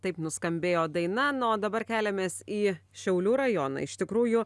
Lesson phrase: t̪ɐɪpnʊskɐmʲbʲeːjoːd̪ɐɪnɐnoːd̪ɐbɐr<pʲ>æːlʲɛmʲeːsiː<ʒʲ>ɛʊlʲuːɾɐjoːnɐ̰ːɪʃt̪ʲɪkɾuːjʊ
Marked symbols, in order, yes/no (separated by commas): no, no